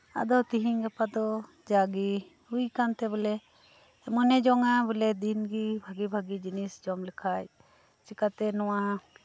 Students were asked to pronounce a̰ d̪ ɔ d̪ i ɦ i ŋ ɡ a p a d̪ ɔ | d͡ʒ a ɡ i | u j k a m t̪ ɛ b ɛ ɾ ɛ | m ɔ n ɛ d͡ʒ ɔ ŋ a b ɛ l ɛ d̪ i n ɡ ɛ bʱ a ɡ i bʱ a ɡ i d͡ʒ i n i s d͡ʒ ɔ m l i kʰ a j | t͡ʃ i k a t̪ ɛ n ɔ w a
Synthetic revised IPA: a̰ d̪ ɔ t̪ i ɦ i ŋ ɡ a p a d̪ ɔ | d͡ʒ a ɡ i | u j k a n t̪ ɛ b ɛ l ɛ | m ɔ n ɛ d͡ʒ ɔ ŋ a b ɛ l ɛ d̪ i n ɡ i bʱ a ɡ i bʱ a ɡ i d͡ʒ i n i s d͡ʒ ɔ m l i kʰ a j | t͡ʃ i k a t̪ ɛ n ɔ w a